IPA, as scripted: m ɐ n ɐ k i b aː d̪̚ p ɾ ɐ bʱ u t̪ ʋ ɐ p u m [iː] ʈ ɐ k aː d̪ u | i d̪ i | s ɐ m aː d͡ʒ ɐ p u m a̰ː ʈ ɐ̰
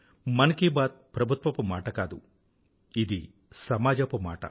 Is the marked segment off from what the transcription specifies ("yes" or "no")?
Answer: yes